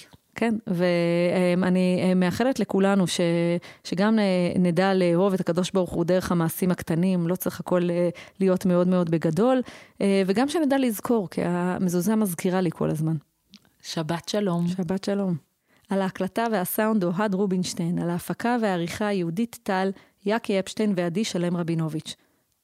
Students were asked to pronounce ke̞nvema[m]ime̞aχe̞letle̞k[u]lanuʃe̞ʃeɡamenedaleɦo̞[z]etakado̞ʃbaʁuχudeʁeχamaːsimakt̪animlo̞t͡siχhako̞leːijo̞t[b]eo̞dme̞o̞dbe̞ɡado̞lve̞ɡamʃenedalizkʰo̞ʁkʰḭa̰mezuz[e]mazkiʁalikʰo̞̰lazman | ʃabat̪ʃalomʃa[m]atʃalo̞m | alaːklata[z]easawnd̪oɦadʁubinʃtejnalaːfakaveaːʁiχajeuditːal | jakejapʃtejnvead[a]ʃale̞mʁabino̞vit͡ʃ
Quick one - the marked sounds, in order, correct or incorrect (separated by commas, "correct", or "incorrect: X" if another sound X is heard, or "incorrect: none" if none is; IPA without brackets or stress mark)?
incorrect: n, correct, incorrect: v, incorrect: m, incorrect: a, incorrect: b, incorrect: v, incorrect: i